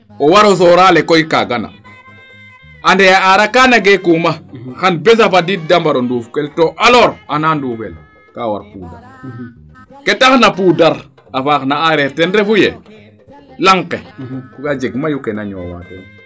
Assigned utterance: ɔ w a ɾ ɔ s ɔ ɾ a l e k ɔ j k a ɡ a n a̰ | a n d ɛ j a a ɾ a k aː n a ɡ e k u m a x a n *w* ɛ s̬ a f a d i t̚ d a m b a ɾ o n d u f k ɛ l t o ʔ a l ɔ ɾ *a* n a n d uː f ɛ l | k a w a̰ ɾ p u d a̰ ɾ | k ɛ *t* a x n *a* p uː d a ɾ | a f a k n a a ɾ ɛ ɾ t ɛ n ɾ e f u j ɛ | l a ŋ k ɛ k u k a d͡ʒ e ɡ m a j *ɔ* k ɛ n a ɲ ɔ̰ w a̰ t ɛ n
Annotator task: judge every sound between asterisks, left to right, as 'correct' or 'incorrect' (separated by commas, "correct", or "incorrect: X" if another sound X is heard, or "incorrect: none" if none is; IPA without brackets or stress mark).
incorrect: b, correct, correct, correct, incorrect: u